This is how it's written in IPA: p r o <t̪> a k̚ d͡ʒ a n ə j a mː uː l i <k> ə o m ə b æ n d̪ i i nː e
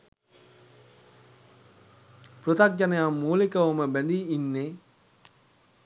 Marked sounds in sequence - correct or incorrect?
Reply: correct, correct

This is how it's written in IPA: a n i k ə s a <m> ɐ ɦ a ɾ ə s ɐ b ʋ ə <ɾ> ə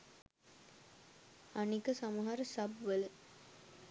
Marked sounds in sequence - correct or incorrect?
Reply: correct, incorrect: l

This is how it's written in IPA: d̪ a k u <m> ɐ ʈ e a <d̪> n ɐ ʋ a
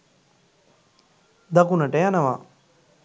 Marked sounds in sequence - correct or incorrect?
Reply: incorrect: n, incorrect: none

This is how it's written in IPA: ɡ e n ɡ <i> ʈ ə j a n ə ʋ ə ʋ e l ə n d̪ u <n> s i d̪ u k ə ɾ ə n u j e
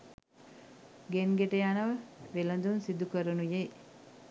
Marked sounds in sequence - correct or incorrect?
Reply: incorrect: e, correct

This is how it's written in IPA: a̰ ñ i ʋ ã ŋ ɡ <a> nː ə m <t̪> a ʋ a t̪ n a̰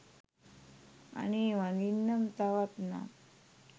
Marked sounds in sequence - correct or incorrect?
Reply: incorrect: i, correct

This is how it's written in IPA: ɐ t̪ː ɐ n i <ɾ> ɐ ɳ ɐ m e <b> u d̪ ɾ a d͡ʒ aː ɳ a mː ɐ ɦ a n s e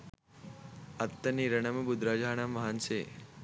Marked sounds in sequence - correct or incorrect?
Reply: correct, correct

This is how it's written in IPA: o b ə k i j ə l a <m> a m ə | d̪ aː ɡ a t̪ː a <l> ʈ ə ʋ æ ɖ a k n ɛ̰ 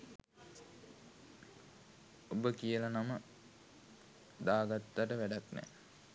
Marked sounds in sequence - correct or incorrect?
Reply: incorrect: n, incorrect: none

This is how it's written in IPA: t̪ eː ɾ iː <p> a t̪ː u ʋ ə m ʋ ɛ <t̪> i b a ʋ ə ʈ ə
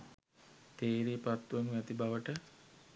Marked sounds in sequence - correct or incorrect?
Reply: correct, correct

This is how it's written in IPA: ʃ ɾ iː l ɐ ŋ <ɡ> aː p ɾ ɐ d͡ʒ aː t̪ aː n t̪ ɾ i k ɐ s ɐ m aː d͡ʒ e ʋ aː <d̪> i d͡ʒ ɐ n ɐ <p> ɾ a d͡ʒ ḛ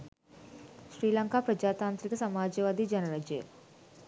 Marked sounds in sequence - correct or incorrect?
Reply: incorrect: k, correct, incorrect: none

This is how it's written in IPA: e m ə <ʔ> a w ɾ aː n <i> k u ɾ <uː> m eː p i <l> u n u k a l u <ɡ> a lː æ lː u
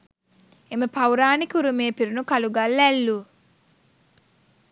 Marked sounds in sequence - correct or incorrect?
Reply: incorrect: p, correct, incorrect: u, incorrect: ɾ, correct

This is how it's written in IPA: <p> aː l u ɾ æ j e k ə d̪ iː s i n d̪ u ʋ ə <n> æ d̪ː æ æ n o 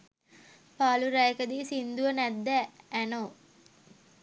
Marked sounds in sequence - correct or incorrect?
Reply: correct, correct

